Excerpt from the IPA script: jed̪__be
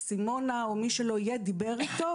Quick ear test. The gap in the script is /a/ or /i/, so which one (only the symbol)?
i